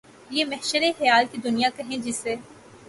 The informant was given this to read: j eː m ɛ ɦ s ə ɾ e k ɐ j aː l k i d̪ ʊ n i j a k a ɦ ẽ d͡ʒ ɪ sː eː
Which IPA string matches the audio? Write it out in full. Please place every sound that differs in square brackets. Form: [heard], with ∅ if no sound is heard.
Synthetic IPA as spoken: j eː m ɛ ɦ [ʃ] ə ɾ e [x] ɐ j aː l k i d̪ ʊ n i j a k [ɐ] ɦ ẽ d͡ʒ ɪ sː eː